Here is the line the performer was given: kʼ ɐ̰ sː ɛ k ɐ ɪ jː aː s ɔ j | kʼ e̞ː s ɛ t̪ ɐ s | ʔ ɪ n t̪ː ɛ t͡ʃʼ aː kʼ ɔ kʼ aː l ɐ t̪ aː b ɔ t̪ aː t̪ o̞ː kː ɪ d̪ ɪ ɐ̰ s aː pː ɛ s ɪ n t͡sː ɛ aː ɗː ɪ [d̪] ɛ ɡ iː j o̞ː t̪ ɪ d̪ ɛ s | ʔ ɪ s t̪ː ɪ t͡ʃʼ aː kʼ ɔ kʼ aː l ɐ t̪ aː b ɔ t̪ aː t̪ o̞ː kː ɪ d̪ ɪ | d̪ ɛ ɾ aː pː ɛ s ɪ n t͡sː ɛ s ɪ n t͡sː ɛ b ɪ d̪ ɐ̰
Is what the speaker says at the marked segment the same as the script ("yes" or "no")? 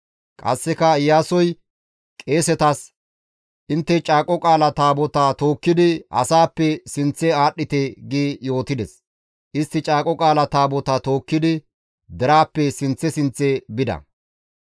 no